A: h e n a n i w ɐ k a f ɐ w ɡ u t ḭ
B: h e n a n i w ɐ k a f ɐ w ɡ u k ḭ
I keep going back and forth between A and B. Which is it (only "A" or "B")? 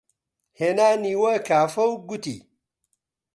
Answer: A